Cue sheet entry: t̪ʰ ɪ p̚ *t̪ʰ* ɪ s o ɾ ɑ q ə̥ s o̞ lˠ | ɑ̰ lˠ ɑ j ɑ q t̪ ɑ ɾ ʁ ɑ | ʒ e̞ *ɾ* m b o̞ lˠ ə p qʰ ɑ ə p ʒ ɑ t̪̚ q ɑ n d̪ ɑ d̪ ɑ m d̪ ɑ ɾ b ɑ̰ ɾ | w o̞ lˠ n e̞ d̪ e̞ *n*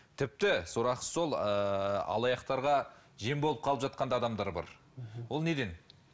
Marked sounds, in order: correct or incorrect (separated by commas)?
incorrect, incorrect, correct